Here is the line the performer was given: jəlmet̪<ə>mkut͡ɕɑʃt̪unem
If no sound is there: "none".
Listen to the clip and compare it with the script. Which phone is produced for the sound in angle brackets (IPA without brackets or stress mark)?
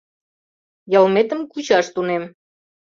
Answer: ə